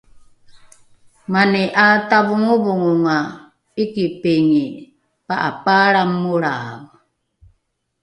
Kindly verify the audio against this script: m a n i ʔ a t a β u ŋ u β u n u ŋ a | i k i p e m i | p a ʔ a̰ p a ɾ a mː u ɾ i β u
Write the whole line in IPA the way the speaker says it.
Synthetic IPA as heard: m a n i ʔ a t a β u ŋ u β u ŋ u ŋ a | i k i p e ŋ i | p a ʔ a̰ p a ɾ a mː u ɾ a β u